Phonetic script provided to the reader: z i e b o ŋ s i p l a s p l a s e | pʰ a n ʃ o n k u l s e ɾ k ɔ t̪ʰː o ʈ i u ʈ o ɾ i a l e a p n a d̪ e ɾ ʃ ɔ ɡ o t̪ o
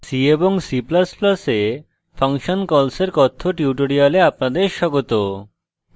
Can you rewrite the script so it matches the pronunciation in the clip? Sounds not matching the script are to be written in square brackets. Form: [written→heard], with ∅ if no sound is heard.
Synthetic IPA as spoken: [z→s] i e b o ŋ s i p l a s p l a s e | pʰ a [n→ŋ] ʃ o n k [u→ɔ] l s e ɾ k ɔ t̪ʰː o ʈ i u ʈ o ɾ i a l e a p n a d̪ e ɾ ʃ ɔ ɡ o t̪ o